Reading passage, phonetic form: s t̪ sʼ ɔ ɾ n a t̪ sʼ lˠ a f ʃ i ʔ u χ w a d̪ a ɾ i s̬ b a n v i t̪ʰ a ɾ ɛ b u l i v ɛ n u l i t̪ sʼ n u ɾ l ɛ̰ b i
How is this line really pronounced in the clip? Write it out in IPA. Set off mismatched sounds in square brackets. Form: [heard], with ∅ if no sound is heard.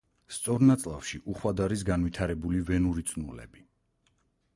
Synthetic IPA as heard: s t̪ sʼ ɔ ɾ n a t̪ sʼ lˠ a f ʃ i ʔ u χ w a d̪ a ɾ i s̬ [ɡ] a n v i t̪ʰ a ɾ ɛ b u l i v ɛ n u [ɾ] i t̪ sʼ n u [∅] l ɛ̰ b i